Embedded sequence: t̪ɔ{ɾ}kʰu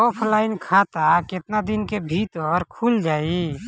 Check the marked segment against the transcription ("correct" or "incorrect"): correct